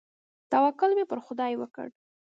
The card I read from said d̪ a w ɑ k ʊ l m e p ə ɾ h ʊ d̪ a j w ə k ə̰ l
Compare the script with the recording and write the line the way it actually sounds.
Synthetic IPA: t̪ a w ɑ k ʊ l m e p ə ɾ x ʊ d̪ ɑ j w ə k ə̰ ɽ